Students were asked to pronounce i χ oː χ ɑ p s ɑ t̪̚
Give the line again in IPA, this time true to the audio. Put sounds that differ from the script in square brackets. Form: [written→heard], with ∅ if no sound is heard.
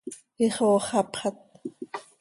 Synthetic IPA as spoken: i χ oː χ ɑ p [s→χ] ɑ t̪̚